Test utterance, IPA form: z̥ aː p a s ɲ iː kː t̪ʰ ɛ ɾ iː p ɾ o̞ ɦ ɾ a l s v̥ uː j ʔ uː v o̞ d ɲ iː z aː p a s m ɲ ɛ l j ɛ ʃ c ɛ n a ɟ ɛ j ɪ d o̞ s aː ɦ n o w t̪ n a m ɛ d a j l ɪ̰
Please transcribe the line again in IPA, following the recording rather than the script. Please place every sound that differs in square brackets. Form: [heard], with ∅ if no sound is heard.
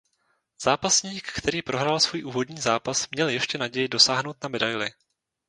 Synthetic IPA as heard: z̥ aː p a s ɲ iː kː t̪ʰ ɛ ɾ iː p ɾ o̞ ɦ ɾ a l s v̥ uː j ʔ uː v o̞ d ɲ iː z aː p a s m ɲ ɛ l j ɛ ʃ c ɛ n a ɟ ɛ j ɪ d o̞ s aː ɦ n o w t̪ n a m ɛ d a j l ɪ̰